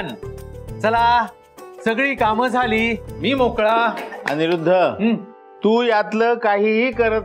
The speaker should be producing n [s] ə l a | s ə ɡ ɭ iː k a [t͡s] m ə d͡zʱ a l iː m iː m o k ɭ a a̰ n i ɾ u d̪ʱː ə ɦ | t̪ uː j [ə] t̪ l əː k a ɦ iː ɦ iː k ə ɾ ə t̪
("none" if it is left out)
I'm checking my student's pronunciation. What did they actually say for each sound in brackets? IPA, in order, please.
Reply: t͡s, none, a

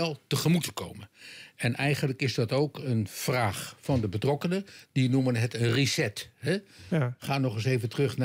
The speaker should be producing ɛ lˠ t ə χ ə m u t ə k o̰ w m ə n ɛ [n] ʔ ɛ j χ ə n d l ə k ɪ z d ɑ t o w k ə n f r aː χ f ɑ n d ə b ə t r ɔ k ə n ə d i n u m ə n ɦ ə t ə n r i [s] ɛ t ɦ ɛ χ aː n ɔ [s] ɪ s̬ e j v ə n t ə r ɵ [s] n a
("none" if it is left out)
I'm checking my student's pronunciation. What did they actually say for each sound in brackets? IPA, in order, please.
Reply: n, s, χ, χ

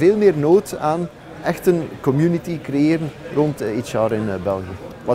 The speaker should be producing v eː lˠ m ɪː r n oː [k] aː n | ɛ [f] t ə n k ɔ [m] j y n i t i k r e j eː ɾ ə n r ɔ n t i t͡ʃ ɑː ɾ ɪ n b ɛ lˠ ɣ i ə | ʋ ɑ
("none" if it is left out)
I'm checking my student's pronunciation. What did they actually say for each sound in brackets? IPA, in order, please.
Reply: t, x, m

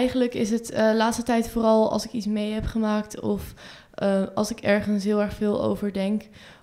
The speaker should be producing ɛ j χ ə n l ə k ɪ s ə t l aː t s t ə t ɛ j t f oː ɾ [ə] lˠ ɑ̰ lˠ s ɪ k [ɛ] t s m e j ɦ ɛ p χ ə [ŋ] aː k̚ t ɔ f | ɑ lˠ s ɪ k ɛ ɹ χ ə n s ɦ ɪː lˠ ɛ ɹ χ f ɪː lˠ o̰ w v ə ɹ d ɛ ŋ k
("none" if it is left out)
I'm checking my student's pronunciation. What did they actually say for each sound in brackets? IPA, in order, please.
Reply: ɑ, i, m

